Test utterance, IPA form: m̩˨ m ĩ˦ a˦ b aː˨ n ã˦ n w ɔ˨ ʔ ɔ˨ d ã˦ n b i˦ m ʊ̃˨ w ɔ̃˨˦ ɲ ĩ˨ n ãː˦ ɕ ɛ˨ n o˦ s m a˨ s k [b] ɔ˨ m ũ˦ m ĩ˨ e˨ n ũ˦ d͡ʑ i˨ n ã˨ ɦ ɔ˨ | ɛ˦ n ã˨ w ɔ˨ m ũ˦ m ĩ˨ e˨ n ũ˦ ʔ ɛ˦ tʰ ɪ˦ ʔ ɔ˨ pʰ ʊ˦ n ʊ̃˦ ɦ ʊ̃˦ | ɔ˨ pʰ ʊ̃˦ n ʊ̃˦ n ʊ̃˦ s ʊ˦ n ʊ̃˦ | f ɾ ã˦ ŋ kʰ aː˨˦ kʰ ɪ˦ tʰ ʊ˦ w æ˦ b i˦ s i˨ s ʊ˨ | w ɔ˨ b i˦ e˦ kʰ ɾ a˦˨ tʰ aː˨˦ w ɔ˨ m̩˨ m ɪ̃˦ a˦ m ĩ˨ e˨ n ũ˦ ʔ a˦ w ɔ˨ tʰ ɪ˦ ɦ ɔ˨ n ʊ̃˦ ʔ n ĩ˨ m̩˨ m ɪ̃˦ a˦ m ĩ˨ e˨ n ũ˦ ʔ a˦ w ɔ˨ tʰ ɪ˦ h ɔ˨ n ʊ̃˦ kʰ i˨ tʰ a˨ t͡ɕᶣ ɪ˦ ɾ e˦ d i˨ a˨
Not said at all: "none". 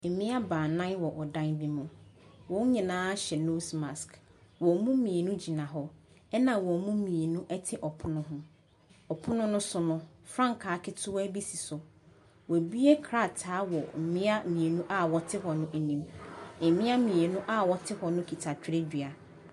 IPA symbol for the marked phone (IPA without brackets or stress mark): w